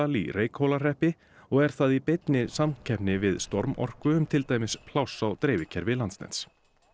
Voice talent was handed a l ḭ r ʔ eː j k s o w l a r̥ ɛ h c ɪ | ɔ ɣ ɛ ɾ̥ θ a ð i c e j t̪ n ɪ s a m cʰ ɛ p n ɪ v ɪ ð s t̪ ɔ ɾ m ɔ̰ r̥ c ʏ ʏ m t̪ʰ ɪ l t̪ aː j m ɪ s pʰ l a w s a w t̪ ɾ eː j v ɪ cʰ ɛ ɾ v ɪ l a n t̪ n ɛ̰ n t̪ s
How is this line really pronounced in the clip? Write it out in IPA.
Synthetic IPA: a l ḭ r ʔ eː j k h o w l a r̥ ɛ h p ɪ | ɔ ɣ ɛ ɾ̥ θ a ð i p e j t̪ n ɪ s a m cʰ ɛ p n ɪ v ɪ ð s t̪ ɔ ɾ m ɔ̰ r̥ k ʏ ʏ m t̪ʰ ɪ l t̪ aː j m ɪ s pʰ l a w s a w t̪ ɾ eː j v ɪ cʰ ɛ ɾ v ɪ l a n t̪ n ɛ̰ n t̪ s